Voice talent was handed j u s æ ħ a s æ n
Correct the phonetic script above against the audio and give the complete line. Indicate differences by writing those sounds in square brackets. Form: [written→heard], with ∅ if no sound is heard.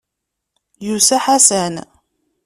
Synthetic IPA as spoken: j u s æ ħ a s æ n